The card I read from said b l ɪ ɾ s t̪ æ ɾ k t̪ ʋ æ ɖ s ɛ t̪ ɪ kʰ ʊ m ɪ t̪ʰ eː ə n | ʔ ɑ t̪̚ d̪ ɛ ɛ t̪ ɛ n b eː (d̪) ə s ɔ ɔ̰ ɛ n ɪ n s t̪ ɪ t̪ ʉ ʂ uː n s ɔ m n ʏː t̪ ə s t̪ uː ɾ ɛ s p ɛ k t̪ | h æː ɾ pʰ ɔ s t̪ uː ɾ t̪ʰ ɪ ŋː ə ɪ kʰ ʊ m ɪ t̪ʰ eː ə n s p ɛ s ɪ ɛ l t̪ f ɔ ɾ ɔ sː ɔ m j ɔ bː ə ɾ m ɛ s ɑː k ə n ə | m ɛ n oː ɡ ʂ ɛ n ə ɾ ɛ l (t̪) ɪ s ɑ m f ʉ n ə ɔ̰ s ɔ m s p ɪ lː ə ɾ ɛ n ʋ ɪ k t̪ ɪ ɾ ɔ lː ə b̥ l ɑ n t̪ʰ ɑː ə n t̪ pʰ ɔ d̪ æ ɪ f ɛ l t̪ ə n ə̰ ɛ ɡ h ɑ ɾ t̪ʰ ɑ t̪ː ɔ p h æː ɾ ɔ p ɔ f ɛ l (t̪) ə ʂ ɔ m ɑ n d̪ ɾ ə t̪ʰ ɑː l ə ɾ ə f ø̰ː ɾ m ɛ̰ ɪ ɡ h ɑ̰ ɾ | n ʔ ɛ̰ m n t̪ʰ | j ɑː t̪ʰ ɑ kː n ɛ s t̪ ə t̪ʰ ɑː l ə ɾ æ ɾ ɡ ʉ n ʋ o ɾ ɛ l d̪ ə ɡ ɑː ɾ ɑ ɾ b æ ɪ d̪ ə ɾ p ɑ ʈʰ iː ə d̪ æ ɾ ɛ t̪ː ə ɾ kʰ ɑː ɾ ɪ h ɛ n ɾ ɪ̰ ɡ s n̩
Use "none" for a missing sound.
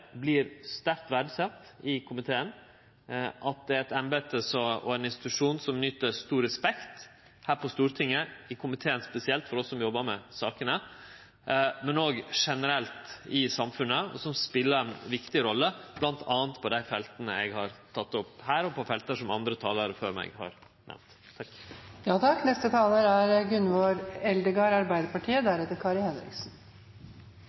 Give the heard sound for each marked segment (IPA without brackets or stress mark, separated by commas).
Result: t̪, t̪, t̪